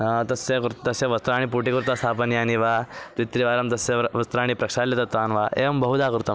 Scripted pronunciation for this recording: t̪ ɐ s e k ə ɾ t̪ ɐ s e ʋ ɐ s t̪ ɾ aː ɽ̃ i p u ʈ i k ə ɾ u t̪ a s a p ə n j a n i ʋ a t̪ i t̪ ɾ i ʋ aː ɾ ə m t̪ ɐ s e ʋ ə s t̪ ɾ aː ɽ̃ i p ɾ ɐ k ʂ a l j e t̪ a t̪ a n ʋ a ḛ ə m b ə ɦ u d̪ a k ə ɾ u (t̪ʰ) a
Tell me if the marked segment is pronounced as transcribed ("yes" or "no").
no